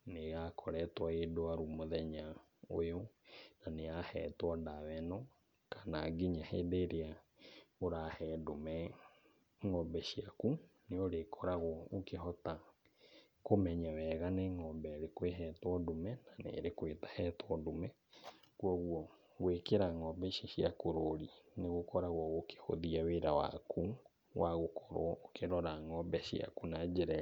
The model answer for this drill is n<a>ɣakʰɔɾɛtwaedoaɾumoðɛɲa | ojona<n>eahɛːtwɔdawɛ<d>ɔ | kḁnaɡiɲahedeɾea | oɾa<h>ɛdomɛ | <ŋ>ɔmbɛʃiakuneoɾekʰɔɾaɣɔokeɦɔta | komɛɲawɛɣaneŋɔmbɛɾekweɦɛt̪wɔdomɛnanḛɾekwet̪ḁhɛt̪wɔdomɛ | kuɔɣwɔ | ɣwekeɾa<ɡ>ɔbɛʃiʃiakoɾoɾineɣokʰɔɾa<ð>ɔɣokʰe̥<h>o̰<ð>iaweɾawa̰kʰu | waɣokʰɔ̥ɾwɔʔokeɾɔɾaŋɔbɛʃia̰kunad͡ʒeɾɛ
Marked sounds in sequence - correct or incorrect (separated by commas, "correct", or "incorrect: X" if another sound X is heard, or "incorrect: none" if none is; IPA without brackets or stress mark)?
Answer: incorrect: e, correct, incorrect: n, correct, correct, incorrect: ŋ, incorrect: ɣ, correct, correct